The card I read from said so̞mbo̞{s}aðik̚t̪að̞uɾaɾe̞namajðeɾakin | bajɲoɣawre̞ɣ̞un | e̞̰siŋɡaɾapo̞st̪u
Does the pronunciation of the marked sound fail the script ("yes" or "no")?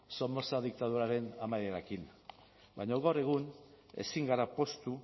no